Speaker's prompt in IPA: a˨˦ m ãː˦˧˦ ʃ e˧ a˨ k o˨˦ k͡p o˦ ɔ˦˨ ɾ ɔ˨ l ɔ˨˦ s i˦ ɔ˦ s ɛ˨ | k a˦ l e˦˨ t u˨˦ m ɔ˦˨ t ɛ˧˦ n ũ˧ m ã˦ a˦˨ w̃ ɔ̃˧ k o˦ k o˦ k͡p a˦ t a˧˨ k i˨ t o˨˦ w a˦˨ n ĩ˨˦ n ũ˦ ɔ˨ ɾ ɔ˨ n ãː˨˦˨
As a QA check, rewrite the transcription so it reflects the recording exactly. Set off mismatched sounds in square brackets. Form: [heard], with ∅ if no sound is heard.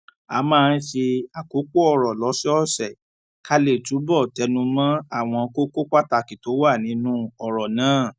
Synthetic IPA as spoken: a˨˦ m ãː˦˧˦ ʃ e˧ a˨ k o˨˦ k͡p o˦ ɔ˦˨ ɾ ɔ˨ l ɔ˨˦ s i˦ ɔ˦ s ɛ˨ | k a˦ l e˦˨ t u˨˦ [b] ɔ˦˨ t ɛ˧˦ n ũ˧ m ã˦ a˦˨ w̃ ɔ̃˧ k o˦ k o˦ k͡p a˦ t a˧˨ k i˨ t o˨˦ w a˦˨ n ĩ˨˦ n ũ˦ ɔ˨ ɾ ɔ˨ n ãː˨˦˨